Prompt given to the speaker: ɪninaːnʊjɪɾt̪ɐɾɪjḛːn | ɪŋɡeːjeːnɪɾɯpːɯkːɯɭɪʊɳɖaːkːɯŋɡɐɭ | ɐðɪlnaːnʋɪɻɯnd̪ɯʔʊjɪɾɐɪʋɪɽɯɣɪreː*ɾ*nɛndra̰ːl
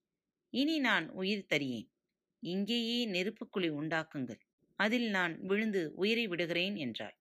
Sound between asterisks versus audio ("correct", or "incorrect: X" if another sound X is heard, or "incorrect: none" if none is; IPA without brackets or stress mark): incorrect: none